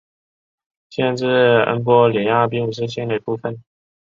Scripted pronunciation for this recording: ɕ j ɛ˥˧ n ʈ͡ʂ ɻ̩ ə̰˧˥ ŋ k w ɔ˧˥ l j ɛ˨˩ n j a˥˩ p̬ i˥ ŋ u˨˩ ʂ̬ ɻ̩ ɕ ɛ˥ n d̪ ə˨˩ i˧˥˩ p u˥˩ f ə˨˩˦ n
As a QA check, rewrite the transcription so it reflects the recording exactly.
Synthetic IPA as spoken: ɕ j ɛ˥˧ n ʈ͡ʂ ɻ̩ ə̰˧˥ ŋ k w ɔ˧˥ l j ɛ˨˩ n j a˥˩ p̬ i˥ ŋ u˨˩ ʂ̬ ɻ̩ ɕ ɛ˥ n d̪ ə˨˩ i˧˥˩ p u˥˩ f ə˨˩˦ n